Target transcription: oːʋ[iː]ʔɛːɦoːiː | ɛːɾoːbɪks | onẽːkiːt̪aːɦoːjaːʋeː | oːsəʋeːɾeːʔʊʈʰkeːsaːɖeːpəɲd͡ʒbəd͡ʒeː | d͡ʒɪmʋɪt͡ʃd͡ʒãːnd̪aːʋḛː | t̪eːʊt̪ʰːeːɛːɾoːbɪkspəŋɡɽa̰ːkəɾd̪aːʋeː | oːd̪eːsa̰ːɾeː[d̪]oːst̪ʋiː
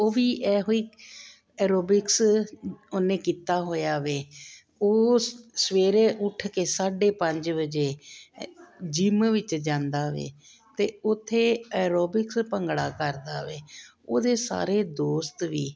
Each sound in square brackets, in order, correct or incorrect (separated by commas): correct, correct